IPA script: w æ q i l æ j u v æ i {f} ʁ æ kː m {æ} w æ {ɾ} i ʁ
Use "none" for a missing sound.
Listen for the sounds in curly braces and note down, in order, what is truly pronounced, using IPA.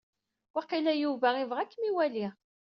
v, i, l

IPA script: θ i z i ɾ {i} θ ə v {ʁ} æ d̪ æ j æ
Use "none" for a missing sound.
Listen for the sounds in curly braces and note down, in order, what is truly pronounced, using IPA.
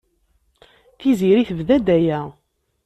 i, ð

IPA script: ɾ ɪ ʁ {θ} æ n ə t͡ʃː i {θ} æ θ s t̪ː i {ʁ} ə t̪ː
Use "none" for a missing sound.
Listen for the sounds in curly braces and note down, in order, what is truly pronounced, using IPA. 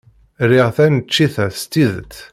θ, θ, ð

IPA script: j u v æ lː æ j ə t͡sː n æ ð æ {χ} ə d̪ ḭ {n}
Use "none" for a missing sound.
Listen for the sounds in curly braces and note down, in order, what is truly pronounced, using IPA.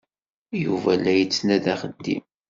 χ, m

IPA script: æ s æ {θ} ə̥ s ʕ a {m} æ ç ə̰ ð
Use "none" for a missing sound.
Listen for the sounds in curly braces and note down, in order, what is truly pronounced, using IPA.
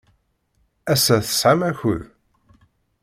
θ, m

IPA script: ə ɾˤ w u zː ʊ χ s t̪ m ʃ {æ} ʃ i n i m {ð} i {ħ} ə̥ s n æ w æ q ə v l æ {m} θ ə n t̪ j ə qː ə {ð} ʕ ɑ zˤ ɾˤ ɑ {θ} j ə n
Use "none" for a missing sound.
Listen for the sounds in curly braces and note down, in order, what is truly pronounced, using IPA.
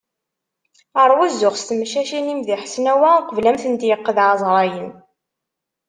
æ, ð, ħ, m, ð, none

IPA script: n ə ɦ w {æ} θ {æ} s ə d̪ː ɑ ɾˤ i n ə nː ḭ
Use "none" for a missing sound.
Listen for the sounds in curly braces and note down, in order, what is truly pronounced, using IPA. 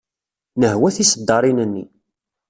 æ, i

